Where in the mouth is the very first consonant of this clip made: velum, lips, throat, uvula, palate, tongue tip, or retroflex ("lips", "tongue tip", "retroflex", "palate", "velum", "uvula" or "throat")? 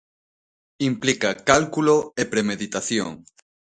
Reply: lips